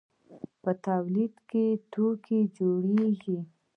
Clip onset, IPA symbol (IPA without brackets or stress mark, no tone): p